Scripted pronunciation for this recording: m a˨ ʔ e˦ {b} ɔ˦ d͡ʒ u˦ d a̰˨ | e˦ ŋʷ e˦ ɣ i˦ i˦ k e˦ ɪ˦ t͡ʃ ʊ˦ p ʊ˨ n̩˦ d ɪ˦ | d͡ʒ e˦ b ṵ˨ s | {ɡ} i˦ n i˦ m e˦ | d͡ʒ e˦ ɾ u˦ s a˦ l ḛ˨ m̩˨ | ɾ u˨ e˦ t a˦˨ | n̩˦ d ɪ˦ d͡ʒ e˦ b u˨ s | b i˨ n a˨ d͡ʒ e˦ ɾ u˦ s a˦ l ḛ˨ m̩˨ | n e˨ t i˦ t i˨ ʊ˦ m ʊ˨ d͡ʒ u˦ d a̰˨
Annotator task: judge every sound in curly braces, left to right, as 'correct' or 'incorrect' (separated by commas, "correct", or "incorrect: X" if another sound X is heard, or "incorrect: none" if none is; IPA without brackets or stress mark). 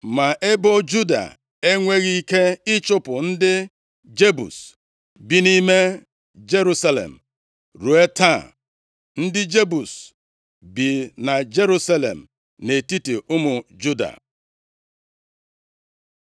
correct, incorrect: b